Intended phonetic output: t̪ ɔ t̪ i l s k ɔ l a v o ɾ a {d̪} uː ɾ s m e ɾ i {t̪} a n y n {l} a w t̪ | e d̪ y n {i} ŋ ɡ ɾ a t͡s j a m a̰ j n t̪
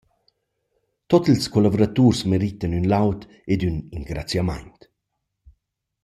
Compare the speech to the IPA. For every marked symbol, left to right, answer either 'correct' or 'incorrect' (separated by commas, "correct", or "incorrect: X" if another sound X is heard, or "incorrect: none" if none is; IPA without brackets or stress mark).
incorrect: t̪, correct, correct, correct